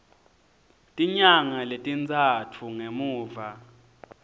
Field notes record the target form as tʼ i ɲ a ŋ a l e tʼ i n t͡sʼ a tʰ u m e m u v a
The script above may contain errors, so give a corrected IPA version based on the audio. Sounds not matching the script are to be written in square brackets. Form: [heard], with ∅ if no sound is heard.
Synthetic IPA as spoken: tʼ i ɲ a ŋ a l e tʼ i n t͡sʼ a tʰ u [ŋ] e m [uː] v a